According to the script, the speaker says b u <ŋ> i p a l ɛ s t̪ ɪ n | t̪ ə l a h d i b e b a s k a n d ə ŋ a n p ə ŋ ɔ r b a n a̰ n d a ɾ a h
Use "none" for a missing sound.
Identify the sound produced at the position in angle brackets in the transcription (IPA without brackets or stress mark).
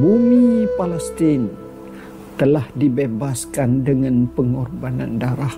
m